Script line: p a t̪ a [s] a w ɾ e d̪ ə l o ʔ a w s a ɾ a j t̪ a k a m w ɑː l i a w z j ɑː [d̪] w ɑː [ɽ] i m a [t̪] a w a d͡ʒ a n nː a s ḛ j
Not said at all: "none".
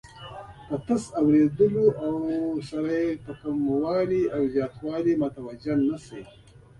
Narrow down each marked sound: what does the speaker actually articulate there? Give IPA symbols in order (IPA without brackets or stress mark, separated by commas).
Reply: s, t̪, l, t̪